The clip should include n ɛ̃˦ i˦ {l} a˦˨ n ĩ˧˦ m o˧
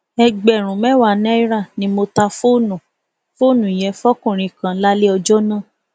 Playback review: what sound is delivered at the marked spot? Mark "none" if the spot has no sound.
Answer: ɾ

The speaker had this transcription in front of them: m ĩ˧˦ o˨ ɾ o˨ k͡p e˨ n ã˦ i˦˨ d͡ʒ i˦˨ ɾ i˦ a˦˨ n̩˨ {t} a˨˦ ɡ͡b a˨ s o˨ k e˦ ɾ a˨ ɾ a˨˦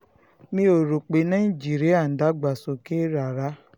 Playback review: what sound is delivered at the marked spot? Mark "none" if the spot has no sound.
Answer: d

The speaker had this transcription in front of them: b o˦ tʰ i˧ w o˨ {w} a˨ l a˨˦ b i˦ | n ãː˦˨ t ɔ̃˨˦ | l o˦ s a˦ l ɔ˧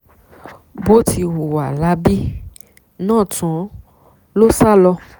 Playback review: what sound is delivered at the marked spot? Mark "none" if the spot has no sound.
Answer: w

